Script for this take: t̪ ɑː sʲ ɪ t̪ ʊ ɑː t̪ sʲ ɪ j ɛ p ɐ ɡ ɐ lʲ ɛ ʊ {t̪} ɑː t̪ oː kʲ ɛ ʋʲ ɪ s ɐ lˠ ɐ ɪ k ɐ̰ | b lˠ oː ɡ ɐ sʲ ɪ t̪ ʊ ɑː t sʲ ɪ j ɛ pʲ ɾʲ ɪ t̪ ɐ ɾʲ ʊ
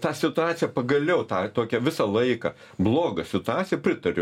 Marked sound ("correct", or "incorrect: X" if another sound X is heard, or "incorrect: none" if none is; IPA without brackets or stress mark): correct